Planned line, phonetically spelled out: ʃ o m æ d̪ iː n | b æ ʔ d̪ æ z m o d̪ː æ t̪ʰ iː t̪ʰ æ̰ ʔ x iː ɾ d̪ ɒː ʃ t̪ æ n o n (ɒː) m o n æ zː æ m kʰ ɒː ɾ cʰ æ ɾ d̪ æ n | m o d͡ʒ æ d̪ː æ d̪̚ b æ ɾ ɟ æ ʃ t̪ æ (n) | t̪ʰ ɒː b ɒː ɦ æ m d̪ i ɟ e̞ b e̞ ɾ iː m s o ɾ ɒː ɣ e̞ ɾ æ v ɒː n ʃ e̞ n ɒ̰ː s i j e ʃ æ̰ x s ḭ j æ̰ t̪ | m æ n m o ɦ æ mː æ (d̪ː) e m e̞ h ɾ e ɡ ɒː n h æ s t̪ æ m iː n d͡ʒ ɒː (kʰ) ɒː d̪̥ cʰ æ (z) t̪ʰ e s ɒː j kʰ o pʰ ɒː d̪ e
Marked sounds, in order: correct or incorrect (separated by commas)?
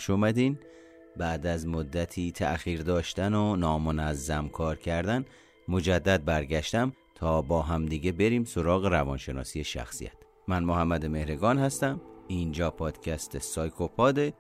correct, incorrect, incorrect, incorrect, incorrect